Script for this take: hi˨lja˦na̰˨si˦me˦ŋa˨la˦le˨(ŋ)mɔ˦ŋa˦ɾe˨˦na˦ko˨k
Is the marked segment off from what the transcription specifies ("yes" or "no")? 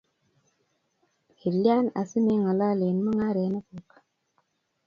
yes